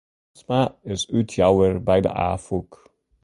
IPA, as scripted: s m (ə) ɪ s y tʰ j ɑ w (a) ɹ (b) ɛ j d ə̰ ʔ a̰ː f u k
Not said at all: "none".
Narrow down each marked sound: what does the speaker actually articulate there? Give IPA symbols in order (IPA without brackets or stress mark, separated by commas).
a, ə, b